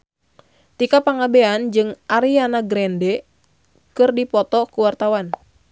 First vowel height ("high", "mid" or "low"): high